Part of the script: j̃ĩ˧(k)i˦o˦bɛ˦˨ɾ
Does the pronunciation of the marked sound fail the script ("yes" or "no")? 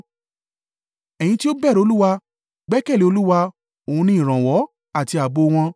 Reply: yes